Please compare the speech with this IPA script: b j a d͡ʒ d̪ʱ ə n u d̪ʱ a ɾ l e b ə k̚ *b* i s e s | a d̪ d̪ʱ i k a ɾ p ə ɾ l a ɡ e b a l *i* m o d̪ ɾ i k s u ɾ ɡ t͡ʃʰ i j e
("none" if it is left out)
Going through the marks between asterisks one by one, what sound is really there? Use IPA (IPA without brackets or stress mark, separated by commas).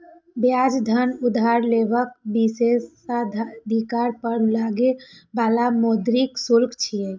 b, a